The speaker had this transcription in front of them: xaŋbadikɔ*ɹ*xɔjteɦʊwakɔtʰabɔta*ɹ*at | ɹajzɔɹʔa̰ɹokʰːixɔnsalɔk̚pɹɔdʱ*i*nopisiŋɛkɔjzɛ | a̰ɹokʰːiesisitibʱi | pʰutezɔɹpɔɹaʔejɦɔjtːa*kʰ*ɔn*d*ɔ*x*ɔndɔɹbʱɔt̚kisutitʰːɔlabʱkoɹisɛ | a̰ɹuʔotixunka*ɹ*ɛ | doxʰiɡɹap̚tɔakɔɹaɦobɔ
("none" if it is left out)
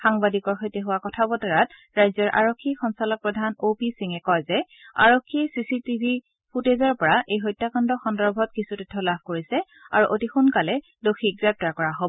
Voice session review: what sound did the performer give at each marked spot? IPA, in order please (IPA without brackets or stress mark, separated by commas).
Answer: ɹ, ɹ, a, k, d, x, l